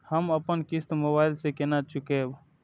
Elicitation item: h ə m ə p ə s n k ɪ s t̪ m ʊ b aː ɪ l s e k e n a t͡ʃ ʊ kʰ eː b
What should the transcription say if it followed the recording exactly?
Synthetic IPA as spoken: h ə m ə p ə n k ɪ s t̪ m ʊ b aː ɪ l s e k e n a t͡ʃ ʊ k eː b